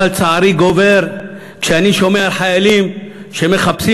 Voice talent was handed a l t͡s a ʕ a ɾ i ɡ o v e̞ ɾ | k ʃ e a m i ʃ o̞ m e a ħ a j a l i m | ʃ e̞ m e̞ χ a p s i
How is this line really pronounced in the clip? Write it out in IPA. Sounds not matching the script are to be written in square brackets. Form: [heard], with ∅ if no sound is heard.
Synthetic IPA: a l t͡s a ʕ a ɾ i ɡ o v e̞ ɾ | k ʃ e a [n] i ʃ o̞ m e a ħ a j a l i m | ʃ e̞ m e̞ χ a p s i